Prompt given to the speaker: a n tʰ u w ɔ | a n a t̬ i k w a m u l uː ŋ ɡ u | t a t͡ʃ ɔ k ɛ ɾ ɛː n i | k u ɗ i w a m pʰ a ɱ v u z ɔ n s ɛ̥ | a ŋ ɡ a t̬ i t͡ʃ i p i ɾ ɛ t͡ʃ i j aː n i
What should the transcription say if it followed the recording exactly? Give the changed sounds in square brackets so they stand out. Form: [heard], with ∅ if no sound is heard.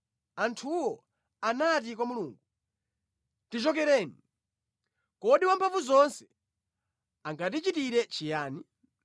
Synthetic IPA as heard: a n tʰ u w ɔ | a n a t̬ i k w a m u l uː ŋ ɡ u | t [i] t͡ʃ ɔ k ɛ ɾ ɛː n i | k [ɔ] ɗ i w a m pʰ a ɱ v u z ɔ n s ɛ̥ | a ŋ ɡ a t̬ i t͡ʃ i [t] i ɾ ɛ t͡ʃ i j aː n i

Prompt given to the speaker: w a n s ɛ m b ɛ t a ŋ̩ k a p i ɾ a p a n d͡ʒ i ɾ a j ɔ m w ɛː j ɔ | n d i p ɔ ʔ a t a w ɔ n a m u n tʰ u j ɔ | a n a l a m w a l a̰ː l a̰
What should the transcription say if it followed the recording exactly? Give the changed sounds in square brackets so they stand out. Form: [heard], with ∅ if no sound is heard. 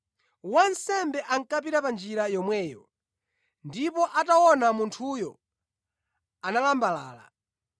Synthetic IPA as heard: w a n s ɛ m b ɛ [ʔ] a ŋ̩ k a p i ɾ a p a n d͡ʒ i ɾ a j ɔ m w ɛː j ɔ | n d i p ɔ ʔ a t a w ɔ n a m u n tʰ u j ɔ | a n a l a m [b] a l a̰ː l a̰

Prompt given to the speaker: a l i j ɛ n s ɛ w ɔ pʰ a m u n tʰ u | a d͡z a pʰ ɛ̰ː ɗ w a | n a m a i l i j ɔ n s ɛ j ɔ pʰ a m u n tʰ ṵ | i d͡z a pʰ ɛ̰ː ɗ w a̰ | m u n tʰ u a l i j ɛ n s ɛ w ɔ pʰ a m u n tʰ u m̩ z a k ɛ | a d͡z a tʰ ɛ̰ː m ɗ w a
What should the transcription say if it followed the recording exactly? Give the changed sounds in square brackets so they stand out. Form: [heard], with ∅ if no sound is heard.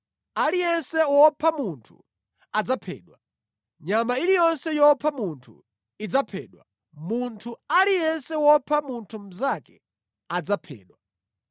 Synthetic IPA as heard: a l i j ɛ n s ɛ w ɔ pʰ a m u n tʰ u | a d͡z a pʰ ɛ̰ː ɗ w a | [ɲ] a m a i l i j ɔ n s ɛ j ɔ pʰ a m u n tʰ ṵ | i d͡z a pʰ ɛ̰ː ɗ w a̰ | m u n tʰ u a l i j ɛ n s ɛ w ɔ pʰ a m u n tʰ u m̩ z a k ɛ | a d͡z a [pʰ] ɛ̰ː [∅] ɗ w a

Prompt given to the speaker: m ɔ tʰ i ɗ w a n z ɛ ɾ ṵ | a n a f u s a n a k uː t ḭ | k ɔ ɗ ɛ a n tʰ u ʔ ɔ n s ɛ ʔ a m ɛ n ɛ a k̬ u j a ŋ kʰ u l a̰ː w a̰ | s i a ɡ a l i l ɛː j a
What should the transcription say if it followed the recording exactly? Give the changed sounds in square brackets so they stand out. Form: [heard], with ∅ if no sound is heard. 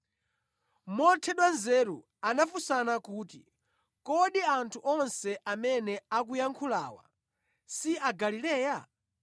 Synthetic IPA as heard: m ɔ tʰ [ɛ] ɗ w a n z ɛ ɾ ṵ | a n a f u s a n a k uː t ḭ | k ɔ ɗ [i] a n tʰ u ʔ ɔ n s ɛ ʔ a m ɛ n ɛ a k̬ u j a ŋ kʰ u l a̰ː w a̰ | s i a ɡ a l i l ɛː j a

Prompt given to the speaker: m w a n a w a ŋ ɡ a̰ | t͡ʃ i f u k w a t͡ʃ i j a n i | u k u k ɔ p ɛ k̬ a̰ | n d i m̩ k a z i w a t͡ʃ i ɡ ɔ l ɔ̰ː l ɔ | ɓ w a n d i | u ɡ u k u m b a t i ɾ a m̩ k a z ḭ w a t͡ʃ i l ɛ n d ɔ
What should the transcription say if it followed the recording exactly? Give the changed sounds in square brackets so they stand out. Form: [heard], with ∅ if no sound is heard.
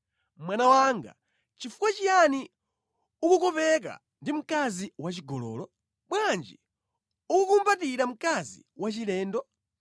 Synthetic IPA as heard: m w a n a w a ŋ ɡ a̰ | t͡ʃ i f u k w a t͡ʃ i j a n i | u k u k ɔ p ɛ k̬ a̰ | n d i m̩ k a z i w a t͡ʃ i ɡ ɔ l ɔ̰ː l ɔ | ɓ w a n [d͡ʒ] i | u [k] u k u m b a t i ɾ a m̩ k a z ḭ w a t͡ʃ i l [ɛː] n d ɔ

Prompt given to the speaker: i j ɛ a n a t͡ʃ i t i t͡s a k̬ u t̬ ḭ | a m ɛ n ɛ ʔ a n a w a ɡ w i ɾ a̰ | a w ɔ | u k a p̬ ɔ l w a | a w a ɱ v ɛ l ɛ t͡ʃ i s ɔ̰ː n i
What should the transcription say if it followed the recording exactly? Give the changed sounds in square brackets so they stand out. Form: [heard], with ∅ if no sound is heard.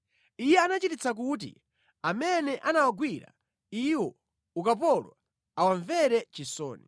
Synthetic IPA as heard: i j ɛ a n a t͡ʃ i t i t͡s a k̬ u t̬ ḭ | a m ɛ n ɛ ʔ a n a w a ɡ w i ɾ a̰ | [i] w ɔ | u k a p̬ ɔ l w a | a w a ɱ v ɛ [ɾ] ɛ t͡ʃ i s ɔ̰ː n i

